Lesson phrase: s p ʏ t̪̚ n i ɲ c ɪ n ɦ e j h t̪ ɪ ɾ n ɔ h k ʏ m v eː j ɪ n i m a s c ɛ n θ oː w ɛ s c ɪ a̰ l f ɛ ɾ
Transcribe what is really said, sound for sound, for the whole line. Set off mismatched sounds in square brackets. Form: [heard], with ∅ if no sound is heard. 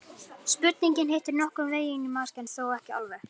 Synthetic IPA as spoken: s p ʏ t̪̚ n i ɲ c ɪ n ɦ e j h t̪ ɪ ɾ n ɔ h k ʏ m v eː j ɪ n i m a s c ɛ n θ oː w ɛ [h] c ɪ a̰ l [v] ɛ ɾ